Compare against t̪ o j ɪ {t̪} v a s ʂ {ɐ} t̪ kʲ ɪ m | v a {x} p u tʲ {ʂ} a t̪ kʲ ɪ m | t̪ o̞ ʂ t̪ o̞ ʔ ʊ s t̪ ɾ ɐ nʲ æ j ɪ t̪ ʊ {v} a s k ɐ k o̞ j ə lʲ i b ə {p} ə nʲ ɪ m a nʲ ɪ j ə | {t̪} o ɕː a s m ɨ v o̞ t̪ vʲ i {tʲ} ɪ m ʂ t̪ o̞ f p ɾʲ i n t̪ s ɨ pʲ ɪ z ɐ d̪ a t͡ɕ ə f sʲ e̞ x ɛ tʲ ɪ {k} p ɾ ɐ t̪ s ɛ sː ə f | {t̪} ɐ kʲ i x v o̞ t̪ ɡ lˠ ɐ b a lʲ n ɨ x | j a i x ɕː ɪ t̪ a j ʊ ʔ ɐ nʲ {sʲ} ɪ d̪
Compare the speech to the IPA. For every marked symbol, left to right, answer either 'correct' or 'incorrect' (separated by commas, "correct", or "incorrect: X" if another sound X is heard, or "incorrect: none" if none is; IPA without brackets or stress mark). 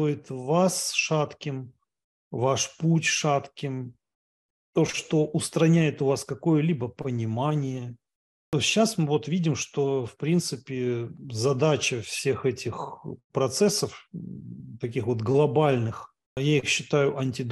correct, incorrect: a, incorrect: ʂ, correct, correct, correct, correct, incorrect: dʲ, incorrect: x, correct, incorrect: tʲ